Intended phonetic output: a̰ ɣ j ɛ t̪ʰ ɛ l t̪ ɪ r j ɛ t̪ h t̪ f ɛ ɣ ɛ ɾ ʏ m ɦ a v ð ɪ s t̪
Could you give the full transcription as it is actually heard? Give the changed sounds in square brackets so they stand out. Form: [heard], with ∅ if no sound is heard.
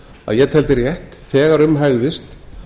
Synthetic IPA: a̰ [ð] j ɛ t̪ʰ ɛ l t̪ ɪ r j ɛ [∅] h t̪ f [ɛː] ɣ [a] ɾ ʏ m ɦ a [ɣ] ð ɪ s t̪